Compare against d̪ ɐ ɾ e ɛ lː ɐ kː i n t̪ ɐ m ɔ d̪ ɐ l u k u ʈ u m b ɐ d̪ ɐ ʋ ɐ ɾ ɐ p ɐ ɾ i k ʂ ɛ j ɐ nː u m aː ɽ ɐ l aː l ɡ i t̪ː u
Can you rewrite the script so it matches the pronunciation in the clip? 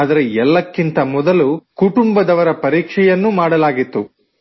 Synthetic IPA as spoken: d̪ ɐ ɾ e ɛ lː ɐ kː i n t̪ ɐ m ɔ d̪ ɐ l u k u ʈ u m b ɐ d̪ ɐ ʋ ɐ ɾ ɐ p ɐ ɾ iː k ʂ ɛ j ɐ nː u m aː ɽ ɐ l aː ɡ i t̪ː u

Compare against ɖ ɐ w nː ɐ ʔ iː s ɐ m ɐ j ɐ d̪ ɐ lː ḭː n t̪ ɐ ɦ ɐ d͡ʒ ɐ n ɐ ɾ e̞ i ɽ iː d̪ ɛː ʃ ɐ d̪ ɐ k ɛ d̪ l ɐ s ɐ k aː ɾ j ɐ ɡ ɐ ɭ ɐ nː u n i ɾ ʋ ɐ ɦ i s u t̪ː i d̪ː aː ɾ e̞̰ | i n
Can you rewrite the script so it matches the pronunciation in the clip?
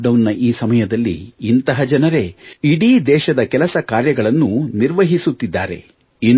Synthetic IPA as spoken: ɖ ɐ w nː ɐ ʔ iː s ɐ m ɐ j ɐ d̪ ɐ lː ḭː n t̪ ɐ ɦ ɐ d͡ʒ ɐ n ɐ ɾ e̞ i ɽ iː d̪ ɛː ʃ ɐ d̪ ɐ k ɛ l ɐ s ɐ k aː ɾ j ɐ ɡ ɐ ɭ ɐ nː u n i ɾ ʋ ɐ ɦ i s u t̪ː i d̪ː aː ɾ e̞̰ | i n

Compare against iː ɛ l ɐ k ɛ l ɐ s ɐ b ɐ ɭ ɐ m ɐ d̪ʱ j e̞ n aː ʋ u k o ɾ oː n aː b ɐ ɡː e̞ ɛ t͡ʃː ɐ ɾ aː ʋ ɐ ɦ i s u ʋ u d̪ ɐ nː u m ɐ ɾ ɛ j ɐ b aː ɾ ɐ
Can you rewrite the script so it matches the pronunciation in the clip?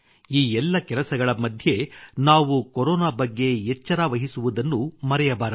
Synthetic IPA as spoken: iː ɛ lː ɐ k ɛ l ɐ s ɐ ɡ ɐ ɭ ɐ m ɐ d̪ʱ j e̞ n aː ʋ u k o ɾ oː n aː b ɐ ɡː e̞ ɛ t͡ʃː ɐ ɾ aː ʋ ɐ ɦ i s u ʋ u d̪ ɐ nː u m ɐ ɾ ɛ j ɐ b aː ɾ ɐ

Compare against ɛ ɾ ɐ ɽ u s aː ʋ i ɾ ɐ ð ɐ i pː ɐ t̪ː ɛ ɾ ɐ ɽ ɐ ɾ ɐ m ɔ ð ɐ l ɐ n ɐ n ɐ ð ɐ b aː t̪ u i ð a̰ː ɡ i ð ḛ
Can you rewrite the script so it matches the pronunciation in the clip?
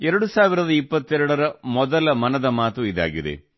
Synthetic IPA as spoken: ɛ ɾ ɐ ɽ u s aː ʋ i ɾ ɐ ð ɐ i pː ɐ t̪ː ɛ ɾ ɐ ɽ ɐ ɾ ɐ m ɔ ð ɐ l ɐ m ɐ n ɐ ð ɐ m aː t̪ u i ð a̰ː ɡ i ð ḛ

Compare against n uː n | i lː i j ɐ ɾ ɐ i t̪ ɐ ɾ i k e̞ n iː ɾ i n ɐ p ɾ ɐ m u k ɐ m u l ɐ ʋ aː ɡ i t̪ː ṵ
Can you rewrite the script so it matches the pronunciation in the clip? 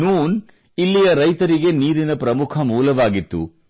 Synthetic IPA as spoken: n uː n | i lː i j ɐ ɾ ɐ j t̪ ɐ ɾ i ɡ e̞ n iː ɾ i n ɐ p ɾ ɐ m u kʰ ɐ m uː l ɐ ʋ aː ɡ i t̪ː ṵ

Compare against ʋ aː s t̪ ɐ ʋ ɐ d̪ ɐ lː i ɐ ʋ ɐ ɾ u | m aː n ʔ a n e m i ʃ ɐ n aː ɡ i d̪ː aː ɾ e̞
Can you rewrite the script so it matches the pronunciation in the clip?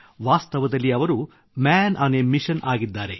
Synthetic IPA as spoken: ʋ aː s t̪ ɐ ʋ ɐ d̪ ɐ lː i ɐ ʋ ɐ ɾ u | m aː n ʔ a n e m i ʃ ɐ n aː ɡ i d̪ː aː ɾ e̞

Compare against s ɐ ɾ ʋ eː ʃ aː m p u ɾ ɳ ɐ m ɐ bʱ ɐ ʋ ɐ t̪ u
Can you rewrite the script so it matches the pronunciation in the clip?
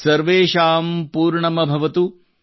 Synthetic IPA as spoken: s ɐ ɾ ʋ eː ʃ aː m p uː ɾ ɳ ɐ m ɐ bʱ ɐ ʋ ɐ t̪ u

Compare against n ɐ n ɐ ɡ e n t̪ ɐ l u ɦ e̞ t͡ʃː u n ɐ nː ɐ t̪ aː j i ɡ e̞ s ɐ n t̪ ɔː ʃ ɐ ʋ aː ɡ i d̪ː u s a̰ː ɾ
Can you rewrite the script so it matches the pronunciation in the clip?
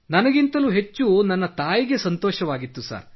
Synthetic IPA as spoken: n ɐ n ɐ ɡ i n t̪ ɐ l u ɦ e̞ t͡ʃː u n ɐ nː ɐ t̪ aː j i ɡ e̞ s ɐ n t̪ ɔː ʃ ɐ ʋ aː ɡ i t̪ː u s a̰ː ɾ

